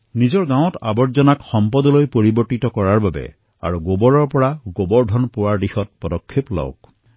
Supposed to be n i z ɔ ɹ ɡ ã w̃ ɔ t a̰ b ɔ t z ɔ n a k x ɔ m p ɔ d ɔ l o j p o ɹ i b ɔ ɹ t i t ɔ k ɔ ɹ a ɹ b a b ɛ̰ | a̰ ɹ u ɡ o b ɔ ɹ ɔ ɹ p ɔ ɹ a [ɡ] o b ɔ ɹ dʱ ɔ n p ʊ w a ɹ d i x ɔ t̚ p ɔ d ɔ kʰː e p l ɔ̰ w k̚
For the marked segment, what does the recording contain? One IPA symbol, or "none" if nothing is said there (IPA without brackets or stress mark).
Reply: ɡ